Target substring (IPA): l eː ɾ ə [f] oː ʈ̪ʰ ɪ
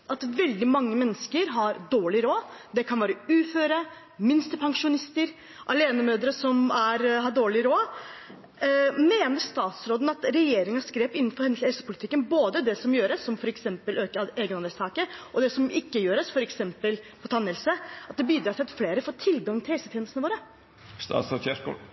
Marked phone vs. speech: correct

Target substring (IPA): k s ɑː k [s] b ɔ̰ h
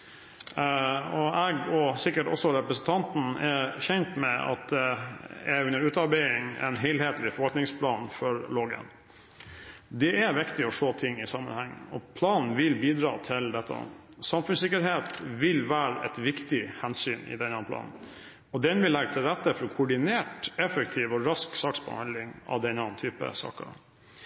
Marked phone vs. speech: correct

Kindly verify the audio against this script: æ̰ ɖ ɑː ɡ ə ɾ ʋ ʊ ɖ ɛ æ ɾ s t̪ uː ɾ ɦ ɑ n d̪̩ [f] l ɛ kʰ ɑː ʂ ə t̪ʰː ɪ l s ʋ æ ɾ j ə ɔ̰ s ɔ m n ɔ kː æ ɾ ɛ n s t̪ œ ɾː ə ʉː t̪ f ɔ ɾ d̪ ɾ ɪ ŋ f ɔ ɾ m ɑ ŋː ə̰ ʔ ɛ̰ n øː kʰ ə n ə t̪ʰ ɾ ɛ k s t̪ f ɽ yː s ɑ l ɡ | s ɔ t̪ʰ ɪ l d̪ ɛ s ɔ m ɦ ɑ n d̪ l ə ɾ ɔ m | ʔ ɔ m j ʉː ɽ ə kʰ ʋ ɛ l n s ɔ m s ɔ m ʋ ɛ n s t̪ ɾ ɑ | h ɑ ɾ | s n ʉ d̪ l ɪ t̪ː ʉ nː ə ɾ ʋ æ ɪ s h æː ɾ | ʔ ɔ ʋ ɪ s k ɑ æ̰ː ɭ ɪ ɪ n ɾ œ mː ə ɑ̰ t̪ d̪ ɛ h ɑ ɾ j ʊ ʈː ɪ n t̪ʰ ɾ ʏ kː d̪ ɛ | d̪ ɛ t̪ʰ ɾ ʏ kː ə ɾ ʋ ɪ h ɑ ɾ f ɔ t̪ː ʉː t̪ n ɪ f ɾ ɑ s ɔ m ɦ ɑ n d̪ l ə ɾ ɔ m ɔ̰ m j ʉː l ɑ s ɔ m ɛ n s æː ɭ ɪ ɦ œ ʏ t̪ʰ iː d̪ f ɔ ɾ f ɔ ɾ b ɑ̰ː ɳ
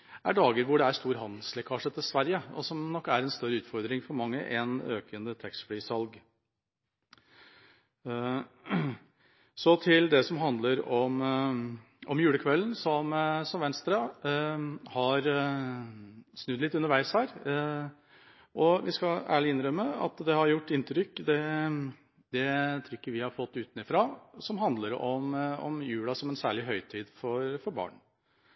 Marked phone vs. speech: incorrect: s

